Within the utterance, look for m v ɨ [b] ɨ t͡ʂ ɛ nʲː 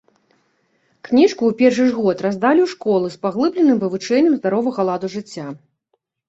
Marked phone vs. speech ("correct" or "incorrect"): incorrect